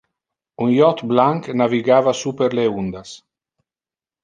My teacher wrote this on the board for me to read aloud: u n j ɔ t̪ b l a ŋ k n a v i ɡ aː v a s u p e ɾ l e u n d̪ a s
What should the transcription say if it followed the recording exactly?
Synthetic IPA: u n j ɔ t̪ b l a ŋ k n a v i ɡ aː v a s u p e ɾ l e u n d̪ a s

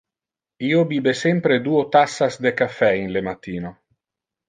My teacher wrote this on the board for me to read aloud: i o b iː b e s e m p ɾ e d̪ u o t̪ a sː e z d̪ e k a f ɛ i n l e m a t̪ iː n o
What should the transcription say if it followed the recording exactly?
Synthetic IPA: i o b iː b e s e m p ɾ e d̪ u o t̪ a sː a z d̪ e k a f ɛ i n l e m a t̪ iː n o

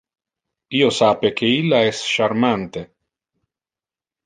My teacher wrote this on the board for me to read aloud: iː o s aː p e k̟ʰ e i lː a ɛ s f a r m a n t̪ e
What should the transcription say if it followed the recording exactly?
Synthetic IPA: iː o s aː p e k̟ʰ e i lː a ɛ s ʃ a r m a n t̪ e

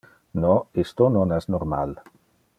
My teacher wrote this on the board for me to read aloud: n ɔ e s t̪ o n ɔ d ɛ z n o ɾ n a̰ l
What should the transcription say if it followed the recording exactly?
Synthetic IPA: n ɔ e s t̪ o n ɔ n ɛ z n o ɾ m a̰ l

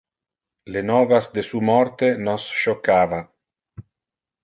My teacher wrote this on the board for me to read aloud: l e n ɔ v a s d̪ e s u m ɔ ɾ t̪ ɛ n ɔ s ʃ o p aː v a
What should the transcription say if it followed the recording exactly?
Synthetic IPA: l e n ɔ v a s d̪ e s u m ɔ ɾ t̪ e n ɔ s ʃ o k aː v a

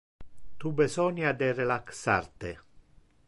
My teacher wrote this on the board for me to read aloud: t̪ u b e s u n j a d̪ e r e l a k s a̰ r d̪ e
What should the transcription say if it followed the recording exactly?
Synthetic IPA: t̪ u b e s ɔ n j a d̪ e r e l a k s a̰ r t̪ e

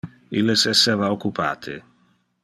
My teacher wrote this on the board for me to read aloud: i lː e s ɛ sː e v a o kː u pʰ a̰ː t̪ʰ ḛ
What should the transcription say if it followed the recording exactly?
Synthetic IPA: i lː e s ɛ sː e v a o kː u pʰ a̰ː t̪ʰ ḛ

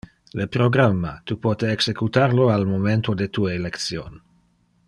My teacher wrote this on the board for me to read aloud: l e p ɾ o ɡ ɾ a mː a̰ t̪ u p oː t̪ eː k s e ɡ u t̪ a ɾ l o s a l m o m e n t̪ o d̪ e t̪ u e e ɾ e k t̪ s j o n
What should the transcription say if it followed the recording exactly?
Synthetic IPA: l e p ɾ o ɡ ɾ a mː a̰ t̪ u p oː t̪ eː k s e k u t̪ a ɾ l o a l m o m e n t̪ o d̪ e t̪ u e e l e k t̪ s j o n

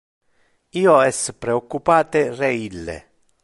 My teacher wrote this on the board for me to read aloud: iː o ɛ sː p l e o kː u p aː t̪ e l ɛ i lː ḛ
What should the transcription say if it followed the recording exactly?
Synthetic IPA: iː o ɛ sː p ɾ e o kː u p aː t̪ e r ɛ i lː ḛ

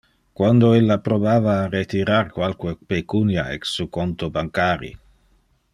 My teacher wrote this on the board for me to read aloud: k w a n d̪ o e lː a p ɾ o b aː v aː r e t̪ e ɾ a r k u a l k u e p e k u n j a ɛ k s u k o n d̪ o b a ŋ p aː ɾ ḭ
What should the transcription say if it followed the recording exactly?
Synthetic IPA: k w a n d̪ o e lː a p ɾ o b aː v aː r e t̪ i ɾ a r k w a l k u e p e k u n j a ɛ k s u k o n t̪ o b a ŋ k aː ɾ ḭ

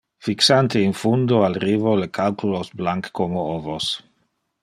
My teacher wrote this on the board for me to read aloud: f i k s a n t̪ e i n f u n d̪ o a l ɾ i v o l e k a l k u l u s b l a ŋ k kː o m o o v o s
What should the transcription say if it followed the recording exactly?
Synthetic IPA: f i k s a n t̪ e i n f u n d̪ o a l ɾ i v o l e k a l k u l o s b l a ŋ k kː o m o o v o s

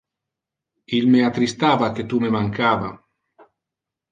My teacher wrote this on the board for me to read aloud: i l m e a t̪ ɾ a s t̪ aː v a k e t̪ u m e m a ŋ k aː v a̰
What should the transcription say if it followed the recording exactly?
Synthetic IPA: i l m e a t̪ ɾ i s t̪ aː v a k e t̪ u m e m a ŋ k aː v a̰

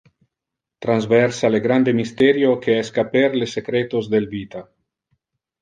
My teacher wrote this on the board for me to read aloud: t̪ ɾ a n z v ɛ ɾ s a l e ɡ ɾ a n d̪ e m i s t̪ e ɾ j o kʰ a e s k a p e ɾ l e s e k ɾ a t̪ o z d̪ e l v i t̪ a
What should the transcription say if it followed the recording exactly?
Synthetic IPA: t̪ ɾ a n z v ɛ ɾ s a l e ɡ ɾ a n d̪ e m i s t̪ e ɾ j o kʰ e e s k a p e ɾ l e s e k ɾ e t̪ o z d̪ e l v i t̪ a

